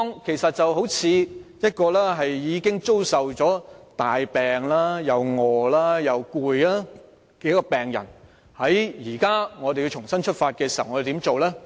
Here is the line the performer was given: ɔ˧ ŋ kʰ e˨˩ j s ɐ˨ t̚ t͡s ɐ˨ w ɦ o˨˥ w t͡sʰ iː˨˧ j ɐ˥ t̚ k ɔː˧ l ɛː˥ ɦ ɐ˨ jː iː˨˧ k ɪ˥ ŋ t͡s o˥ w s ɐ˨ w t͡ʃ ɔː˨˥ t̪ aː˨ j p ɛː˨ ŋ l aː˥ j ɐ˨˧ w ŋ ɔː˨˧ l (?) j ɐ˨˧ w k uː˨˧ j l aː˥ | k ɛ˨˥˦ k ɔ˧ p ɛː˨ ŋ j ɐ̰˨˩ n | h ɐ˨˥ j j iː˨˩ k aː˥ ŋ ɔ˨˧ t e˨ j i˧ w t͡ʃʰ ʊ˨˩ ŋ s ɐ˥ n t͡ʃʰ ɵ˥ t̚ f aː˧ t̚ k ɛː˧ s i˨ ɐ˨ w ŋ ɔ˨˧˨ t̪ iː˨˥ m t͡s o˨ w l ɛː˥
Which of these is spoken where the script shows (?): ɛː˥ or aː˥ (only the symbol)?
aː˥